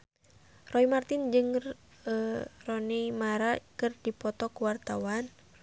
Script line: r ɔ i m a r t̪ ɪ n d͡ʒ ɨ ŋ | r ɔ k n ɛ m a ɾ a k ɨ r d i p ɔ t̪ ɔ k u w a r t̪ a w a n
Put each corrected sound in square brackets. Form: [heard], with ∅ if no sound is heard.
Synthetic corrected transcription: r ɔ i m a r t̪ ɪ n d͡ʒ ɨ ŋ | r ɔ [∅] n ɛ m a ɾ a k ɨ r d i p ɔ t̪ ɔ k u w a r t̪ a w a n

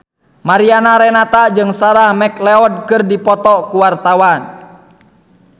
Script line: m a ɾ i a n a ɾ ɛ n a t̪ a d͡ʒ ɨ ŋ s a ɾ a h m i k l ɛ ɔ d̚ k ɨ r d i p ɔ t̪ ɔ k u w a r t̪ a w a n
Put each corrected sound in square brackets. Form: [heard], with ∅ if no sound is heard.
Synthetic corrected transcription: m a ɾ i a n a ɾ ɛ n a t̪ a d͡ʒ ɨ ŋ s a ɾ a h m [ɛ] k l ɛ ɔ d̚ k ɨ r d i p ɔ t̪ ɔ k u w a r t̪ a w a n

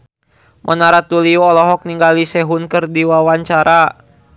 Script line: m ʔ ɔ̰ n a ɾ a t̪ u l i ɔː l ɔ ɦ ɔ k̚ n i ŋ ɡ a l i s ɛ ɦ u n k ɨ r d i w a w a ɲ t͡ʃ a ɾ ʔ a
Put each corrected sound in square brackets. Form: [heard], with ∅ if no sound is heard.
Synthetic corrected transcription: m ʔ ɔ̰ n a ɾ a t̪ u l i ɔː l ɔ ɦ ɔ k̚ n i ŋ ɡ a l i s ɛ ɦ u n k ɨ r d i w a w a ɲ t͡ʃ a ɾ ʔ a

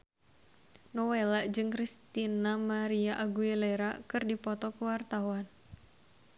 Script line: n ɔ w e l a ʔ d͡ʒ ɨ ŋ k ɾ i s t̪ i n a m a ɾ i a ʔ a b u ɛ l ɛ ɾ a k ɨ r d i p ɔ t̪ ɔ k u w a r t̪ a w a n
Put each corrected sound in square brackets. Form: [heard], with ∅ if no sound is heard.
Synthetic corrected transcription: n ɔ w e l a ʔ d͡ʒ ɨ ŋ k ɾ i s t̪ i n a m a ɾ i a ʔ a [ɡ] u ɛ l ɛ ɾ a k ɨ r d i p ɔ t̪ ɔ k u w a r t̪ a w a n

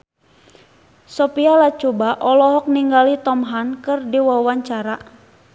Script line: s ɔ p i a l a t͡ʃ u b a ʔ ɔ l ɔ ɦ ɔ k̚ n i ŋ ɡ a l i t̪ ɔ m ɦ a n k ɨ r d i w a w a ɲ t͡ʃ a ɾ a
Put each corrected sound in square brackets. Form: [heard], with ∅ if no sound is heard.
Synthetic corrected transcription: s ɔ p i a l a t͡ʃ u b a ʔ ɔ l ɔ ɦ ɔ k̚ n i ŋ ɡ a l i t̪ ɔ m ɦ a n k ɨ r d i w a w a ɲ t͡ʃ a ɾ a

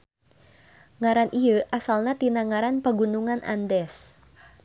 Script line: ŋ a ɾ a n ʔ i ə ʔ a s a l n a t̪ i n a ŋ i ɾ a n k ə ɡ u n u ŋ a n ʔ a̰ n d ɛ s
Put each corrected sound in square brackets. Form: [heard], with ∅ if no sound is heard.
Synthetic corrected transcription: ŋ a ɾ a n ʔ i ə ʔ a s a l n a t̪ i n a ŋ [a] ɾ a n [p] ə ɡ u n u ŋ a n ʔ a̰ n d ɛ s

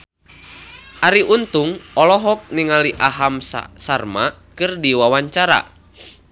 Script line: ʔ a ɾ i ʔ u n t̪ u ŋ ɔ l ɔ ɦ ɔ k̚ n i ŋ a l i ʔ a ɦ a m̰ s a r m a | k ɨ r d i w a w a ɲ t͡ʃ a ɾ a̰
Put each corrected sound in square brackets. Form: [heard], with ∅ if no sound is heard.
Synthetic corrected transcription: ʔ a ɾ i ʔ u n t̪ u ŋ ɔ l ɔ ɦ ɔ k̚ n i ŋ a l i ʔ a ɦ a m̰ s a r m a | k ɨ r d i w a w a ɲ t͡ʃ a ɾ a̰

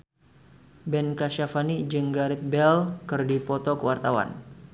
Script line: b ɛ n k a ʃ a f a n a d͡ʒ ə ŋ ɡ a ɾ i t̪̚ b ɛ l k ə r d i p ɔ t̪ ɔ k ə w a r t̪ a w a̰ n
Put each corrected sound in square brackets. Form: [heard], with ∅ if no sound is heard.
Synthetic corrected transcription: b ɛ n k a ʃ a f a n [i] d͡ʒ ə ŋ ɡ a ɾ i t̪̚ b ɛ l k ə r d i p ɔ t̪ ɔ k ə w a r t̪ a w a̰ n

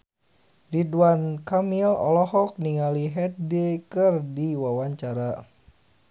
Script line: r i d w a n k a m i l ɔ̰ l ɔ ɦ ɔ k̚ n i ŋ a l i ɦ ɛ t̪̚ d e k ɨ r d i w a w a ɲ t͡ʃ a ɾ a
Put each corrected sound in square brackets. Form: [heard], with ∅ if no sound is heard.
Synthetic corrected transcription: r i d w a n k a m i l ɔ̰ l ɔ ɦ ɔ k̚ n i ŋ a l i ɦ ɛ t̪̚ d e k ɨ r d i w a w a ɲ t͡ʃ a ɾ a

